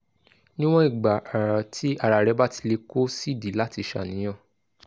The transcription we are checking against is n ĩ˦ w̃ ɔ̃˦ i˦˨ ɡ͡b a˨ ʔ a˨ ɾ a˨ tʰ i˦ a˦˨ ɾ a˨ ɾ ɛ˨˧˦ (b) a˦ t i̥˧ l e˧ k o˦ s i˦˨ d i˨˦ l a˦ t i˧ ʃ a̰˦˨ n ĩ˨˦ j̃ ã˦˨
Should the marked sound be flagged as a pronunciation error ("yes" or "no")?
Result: no